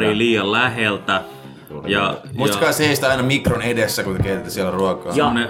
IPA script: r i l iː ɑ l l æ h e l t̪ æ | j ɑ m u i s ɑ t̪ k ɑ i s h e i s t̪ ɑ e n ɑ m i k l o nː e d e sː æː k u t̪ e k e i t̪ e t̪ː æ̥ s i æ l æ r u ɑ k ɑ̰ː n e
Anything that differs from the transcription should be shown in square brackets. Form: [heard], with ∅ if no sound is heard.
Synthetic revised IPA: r i l iː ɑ l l æ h e l t̪ æ | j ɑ m u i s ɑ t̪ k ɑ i s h e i s t̪ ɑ [i] n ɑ m i k [r] o [n] e d e sː [æ] k u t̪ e k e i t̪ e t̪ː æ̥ s i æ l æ r u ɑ k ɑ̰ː n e